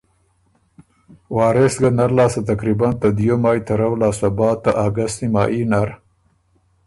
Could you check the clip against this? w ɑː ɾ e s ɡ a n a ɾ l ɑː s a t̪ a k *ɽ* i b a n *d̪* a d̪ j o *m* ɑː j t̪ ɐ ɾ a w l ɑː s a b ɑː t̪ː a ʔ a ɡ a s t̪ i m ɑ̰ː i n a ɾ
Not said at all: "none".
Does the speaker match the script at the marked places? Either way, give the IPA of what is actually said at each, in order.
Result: ɾ, t̪, m

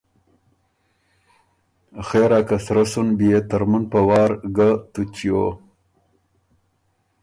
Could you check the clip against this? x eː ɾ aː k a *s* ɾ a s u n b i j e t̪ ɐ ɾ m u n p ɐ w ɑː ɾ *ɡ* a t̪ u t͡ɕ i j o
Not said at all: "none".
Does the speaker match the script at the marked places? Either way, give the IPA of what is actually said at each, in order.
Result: s, ɡ

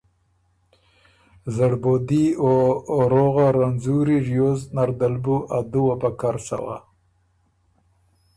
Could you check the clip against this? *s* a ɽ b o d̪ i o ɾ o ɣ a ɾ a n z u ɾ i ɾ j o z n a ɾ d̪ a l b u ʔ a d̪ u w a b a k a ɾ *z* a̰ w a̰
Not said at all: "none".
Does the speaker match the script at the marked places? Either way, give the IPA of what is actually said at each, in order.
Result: z, s

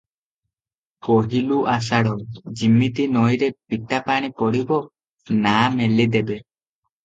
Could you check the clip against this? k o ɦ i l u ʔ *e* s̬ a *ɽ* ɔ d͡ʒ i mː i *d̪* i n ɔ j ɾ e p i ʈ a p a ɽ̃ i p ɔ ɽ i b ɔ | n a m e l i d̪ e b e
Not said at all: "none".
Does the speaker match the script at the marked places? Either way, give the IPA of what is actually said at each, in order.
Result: a, ɽ, t̪

